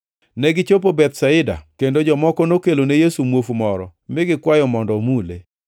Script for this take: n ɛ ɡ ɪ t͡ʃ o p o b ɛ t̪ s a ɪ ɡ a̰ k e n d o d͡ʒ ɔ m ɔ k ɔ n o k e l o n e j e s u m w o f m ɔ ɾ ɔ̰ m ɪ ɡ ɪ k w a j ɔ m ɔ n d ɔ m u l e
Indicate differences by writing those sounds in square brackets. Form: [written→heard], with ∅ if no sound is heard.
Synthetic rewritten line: n ɛ ɡ ɪ t͡ʃ o p o b ɛ t̪ s a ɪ [ɡ→d] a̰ k e n d o d͡ʒ ɔ m ɔ k ɔ n o k e l o n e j e s u m w o f m ɔ ɾ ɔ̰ m ɪ ɡ ɪ k w a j ɔ m ɔ n d ɔ m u l e

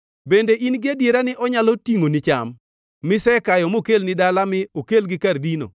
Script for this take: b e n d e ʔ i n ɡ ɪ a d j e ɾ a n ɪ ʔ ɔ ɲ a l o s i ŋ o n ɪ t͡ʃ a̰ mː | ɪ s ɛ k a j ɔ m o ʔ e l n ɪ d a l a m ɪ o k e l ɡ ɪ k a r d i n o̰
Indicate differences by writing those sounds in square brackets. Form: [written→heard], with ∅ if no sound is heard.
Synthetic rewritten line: b e n d e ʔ i n ɡ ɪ a d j e ɾ a n ɪ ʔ ɔ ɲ a l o [s→t] i ŋ o n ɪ t͡ʃ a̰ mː | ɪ s ɛ k a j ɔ m o [ʔ→k] e l n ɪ d a l a m ɪ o k e l ɡ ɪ k a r d i n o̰

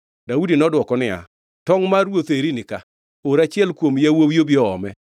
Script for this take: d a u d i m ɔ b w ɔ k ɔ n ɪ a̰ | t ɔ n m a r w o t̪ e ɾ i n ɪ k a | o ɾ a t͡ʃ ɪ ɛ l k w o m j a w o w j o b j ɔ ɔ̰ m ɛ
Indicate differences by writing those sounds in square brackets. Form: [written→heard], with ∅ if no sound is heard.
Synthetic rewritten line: d a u d i [m→n] ɔ [b→d] w ɔ k ɔ n ɪ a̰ | t ɔ [n→ŋ] m a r w o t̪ e ɾ i n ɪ k a | o ɾ a t͡ʃ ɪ ɛ l k w o m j a w o w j o b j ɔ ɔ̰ m ɛ

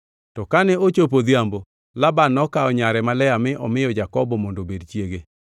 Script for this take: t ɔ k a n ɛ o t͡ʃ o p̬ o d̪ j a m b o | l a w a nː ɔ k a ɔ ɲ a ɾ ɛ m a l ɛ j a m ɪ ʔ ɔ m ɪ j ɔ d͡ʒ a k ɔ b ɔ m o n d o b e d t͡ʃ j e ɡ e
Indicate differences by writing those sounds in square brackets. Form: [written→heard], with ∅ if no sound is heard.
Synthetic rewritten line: t ɔ k a n ɛ o t͡ʃ o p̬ o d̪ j a m b o | l a [w→b] a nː ɔ k a ɔ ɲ a ɾ ɛ m a l ɛ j a m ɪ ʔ ɔ m ɪ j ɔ d͡ʒ a k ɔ b ɔ m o n d o b e d t͡ʃ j e ɡ e

